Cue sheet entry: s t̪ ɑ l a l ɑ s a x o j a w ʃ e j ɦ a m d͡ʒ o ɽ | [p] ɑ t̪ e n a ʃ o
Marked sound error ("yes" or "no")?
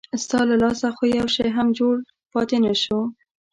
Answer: no